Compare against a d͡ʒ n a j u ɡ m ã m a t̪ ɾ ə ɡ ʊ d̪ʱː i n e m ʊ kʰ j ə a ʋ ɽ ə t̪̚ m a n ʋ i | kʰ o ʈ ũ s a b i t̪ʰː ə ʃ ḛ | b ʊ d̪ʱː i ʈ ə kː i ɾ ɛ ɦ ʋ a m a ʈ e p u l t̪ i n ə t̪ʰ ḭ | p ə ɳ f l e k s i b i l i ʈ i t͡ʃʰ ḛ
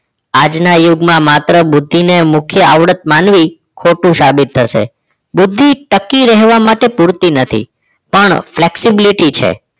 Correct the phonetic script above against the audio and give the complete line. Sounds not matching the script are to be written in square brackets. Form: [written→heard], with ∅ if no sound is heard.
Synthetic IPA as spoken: a d͡ʒ n a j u ɡ m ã m a t̪ ɾ ə [ɡ→b] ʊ d̪ʱː i n e m ʊ kʰ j ə a ʋ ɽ ə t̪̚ m a n ʋ i | kʰ o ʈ ũ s a b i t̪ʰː ə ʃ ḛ | b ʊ d̪ʱː i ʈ ə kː i ɾ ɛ ɦ ʋ a m a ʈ e p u [l→ɾ] t̪ i n ə t̪ʰ ḭ | p ə ɳ f l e k s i b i l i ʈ i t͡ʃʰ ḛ